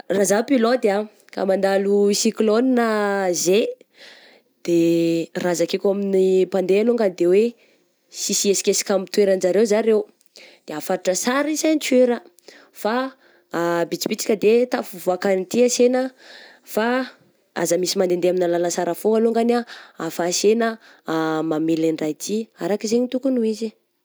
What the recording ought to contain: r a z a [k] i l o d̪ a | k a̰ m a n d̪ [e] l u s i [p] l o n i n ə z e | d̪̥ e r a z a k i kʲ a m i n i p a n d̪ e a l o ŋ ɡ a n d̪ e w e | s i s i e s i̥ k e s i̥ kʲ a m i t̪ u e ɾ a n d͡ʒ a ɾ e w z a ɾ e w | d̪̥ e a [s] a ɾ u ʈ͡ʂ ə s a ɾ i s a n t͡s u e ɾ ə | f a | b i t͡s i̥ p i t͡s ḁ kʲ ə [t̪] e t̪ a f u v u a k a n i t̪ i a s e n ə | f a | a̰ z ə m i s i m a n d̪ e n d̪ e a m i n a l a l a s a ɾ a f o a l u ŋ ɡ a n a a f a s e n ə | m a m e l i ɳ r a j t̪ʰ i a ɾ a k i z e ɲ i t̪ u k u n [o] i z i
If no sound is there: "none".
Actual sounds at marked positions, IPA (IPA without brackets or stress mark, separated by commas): p, a, k, f, d̪, u